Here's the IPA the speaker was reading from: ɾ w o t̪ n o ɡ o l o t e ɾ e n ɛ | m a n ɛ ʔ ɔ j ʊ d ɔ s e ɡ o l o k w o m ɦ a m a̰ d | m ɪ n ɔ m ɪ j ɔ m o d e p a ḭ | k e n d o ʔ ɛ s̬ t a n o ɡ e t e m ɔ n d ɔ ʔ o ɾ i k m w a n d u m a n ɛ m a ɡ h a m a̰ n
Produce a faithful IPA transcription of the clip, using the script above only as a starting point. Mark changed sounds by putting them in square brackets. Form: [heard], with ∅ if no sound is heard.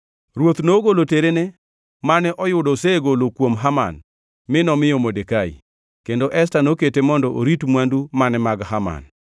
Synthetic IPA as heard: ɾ w o t̪ n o ɡ o l o t e ɾ e n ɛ | m a n ɛ ʔ ɔ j ʊ d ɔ s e ɡ o l o k w o m ɦ a m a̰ [n] | m ɪ n ɔ m ɪ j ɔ m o d e [k] a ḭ | k e n d o ʔ ɛ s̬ t a n o [k] e t e m ɔ n d ɔ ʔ o ɾ i [t] m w a n d u m a n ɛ m a ɡ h a m a̰ n

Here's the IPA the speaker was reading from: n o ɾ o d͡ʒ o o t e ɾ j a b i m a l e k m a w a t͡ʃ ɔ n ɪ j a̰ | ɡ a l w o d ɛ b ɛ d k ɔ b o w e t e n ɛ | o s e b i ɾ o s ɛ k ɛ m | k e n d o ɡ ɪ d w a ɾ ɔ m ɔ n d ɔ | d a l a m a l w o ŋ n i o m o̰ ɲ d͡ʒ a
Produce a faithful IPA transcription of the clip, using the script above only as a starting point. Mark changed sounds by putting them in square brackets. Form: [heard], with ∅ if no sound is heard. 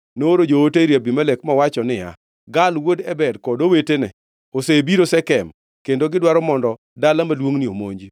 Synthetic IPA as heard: n o ɾ o d͡ʒ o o t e ɾ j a b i m a l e k m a w a t͡ʃ ɔ n ɪ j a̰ | ɡ a l w o d ɛ b ɛ d k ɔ [d] o w e t e n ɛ | o s e b i ɾ o s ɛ k ɛ m | k e n d o ɡ ɪ d w a ɾ ɔ m ɔ n d ɔ | d a l a m a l w o ŋ n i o m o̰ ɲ d͡ʒ [i]

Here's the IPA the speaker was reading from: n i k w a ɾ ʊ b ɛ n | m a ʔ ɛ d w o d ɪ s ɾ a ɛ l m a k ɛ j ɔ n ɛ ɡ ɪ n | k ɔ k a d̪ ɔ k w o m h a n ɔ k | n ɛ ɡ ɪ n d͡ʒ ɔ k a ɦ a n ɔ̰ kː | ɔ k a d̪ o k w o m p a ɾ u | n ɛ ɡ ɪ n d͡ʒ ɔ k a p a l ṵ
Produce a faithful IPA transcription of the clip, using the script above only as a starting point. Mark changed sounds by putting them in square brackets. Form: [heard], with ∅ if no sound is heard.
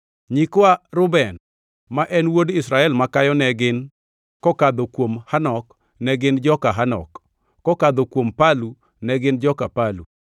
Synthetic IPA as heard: [ɲ] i k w a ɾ ʊ b ɛ n | m a ʔ ɛ [n] w o d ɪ s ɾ a ɛ l m a k [a] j ɔ n ɛ ɡ ɪ n | k ɔ k a d̪ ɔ k w o m h a n ɔ k | n ɛ ɡ ɪ n d͡ʒ ɔ k a ɦ a n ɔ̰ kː | ɔ k a d̪ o k w o m p a [l] u | n ɛ ɡ ɪ n d͡ʒ ɔ k a p a l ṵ

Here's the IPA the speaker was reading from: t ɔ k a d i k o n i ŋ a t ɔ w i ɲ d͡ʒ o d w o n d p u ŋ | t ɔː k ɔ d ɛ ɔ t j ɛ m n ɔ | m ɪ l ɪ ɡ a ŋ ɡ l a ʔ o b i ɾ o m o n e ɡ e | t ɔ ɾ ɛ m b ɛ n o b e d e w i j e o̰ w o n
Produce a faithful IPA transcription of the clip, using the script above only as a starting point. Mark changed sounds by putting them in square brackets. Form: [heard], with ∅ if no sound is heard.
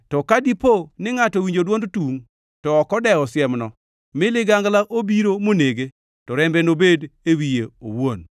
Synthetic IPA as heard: t ɔ k a d i [p] o n [ɪ] ŋ a t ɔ w i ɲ d͡ʒ o d w o n d [t] u ŋ | t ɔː k ɔ d ɛ ɔ [s] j ɛ m n ɔ | m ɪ l ɪ ɡ a ŋ ɡ l a ʔ o b i ɾ o m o n e ɡ e | t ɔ ɾ ɛ m b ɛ n o b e d e w i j e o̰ w o n

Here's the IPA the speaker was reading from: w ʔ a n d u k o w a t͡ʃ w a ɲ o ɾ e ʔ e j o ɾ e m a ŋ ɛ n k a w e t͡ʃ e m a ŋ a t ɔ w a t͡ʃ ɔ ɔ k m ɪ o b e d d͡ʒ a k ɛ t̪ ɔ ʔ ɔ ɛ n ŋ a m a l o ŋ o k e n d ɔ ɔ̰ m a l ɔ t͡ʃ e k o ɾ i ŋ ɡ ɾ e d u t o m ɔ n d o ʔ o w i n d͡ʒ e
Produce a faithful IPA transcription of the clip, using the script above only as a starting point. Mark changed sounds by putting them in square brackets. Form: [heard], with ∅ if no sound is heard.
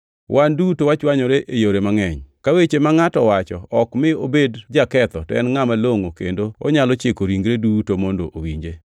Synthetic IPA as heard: w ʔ a n d u [t] o w a t͡ʃ w a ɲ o ɾ e ʔ e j o ɾ e m a ŋ ɛ [ɲ] k a w e t͡ʃ e m a ŋ a t ɔ w a t͡ʃ ɔ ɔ k m ɪ o b e d d͡ʒ a k ɛ t̪ ɔ [t] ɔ ɛ n ŋ a m a l o ŋ o k e n d [o] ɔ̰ [ɲ] a l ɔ t͡ʃ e k o ɾ i ŋ ɡ ɾ e d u t o m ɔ n d o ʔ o w i [ɲ] d͡ʒ e

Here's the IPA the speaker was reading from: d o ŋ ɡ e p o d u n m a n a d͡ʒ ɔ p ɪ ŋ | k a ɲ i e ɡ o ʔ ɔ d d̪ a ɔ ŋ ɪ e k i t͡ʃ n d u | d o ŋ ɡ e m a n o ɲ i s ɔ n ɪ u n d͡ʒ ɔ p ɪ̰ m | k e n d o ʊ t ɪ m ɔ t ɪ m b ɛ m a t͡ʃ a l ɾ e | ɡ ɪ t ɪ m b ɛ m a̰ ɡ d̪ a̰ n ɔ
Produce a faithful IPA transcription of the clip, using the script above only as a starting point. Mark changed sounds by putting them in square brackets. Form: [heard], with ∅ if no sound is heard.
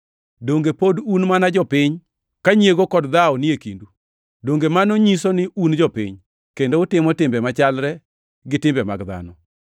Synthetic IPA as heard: d o ŋ ɡ e p o d u n m a n a d͡ʒ ɔ p ɪ [ɲ] | k a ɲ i e ɡ o [k] ɔ d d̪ a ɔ [n] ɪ e k i [∅] n d u | d o ŋ ɡ e m a n o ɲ i s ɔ n ɪ u n d͡ʒ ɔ p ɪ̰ [ɲ] | k e n d o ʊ t ɪ m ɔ t ɪ m b ɛ m a t͡ʃ a l ɾ [ɛ] | ɡ ɪ t ɪ m b ɛ m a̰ ɡ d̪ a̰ n ɔ

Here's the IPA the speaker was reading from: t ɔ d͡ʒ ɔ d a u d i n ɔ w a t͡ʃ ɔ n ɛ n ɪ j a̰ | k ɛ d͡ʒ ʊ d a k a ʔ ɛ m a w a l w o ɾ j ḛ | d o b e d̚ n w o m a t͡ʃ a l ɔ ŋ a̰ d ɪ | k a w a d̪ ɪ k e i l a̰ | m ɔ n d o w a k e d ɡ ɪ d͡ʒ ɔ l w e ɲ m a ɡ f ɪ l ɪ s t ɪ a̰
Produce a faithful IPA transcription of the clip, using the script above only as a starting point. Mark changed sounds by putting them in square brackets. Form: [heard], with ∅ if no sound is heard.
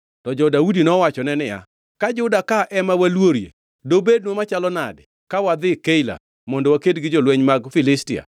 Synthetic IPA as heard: t ɔ d͡ʒ ɔ d a u d i n ɔ w a t͡ʃ ɔ n ɛ n ɪ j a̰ | k [a] d͡ʒ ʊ d a k a ʔ ɛ m a w a l w o ɾ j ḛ | d o b e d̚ n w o m a t͡ʃ a l ɔ [n] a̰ d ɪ | k a w a d̪ ɪ k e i l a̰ | m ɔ n d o w a k e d ɡ ɪ d͡ʒ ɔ l w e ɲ m a ɡ f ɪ l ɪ s t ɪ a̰

